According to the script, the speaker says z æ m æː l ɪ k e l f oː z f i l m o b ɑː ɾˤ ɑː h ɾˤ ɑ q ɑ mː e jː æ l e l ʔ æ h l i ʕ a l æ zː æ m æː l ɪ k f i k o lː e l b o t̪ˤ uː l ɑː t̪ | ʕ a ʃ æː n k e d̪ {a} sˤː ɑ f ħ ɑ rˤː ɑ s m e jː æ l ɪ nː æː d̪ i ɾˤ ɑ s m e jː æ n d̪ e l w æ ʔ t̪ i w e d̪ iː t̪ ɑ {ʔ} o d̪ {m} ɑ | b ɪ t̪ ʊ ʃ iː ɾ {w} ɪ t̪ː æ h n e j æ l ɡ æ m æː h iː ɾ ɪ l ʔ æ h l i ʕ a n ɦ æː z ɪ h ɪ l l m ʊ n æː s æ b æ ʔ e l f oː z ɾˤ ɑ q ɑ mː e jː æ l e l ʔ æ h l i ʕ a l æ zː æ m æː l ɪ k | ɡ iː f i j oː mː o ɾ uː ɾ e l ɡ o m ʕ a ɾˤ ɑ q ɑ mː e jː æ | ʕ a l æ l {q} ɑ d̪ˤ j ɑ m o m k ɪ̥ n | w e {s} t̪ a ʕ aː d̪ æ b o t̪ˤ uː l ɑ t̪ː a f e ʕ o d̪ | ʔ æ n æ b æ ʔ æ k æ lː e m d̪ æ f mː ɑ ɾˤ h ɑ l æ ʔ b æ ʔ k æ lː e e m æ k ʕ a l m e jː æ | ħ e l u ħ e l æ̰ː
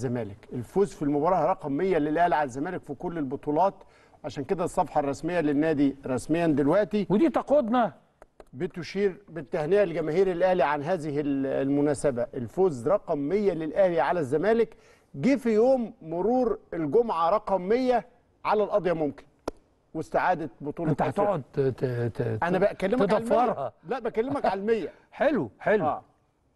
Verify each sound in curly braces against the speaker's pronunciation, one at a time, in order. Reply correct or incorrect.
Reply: incorrect, incorrect, incorrect, incorrect, incorrect, correct

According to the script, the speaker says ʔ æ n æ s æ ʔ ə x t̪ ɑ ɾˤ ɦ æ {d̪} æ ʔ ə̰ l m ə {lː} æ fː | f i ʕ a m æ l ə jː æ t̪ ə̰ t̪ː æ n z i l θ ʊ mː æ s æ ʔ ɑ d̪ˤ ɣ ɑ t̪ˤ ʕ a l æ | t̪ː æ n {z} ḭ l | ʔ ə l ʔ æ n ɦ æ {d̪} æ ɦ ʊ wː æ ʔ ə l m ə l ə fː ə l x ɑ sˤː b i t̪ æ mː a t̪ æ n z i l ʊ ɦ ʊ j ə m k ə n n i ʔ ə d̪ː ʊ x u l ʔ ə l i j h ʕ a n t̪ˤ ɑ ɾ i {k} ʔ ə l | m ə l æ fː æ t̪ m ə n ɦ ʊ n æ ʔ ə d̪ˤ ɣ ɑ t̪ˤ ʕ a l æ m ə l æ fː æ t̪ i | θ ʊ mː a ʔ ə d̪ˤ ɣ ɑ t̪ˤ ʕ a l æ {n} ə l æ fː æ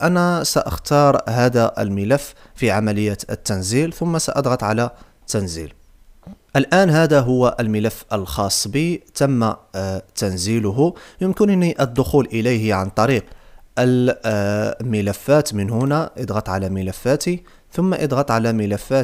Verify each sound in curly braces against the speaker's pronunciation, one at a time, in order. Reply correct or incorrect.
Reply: correct, incorrect, correct, correct, incorrect, incorrect

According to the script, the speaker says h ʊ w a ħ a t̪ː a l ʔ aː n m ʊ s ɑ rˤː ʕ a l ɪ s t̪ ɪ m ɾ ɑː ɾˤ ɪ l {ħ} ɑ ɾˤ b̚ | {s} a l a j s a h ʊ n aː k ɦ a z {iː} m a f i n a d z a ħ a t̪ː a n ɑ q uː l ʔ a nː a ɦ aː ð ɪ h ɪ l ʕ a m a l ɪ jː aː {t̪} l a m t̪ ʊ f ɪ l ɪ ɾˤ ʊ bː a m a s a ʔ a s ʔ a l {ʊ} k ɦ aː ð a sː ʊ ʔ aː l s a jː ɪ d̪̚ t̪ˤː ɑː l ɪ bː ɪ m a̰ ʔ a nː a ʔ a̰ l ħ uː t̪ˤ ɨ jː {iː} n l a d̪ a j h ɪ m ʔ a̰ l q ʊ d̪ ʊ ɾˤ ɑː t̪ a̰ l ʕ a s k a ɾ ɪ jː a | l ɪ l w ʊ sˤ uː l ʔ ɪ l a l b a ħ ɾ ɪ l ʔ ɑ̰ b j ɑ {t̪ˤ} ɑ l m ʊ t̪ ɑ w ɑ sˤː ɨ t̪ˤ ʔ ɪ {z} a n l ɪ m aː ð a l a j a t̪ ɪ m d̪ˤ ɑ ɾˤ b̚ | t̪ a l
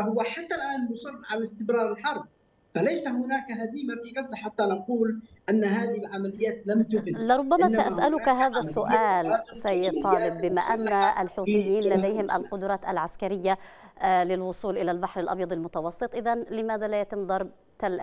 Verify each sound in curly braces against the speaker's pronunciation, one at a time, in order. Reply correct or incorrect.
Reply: correct, incorrect, correct, correct, correct, correct, incorrect, incorrect

